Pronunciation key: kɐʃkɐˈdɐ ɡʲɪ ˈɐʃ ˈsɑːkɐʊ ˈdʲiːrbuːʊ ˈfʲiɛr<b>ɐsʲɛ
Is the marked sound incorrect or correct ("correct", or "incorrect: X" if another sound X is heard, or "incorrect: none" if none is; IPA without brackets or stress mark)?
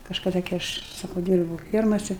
incorrect: m